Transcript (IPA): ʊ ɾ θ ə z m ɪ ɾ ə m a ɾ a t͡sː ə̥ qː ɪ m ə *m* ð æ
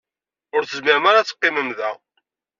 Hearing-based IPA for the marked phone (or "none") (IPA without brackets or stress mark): m